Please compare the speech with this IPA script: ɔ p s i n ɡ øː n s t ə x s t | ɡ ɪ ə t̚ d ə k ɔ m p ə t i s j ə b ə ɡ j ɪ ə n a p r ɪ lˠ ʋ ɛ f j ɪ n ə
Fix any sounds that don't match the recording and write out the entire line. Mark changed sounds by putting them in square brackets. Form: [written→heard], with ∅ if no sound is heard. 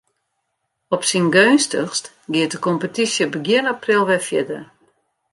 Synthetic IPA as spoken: ɔ p s i n ɡ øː n s t ə x s t | ɡ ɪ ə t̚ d ə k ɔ m p ə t i s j ə b ə ɡ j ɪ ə n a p r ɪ lˠ ʋ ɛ f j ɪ [n→d] ə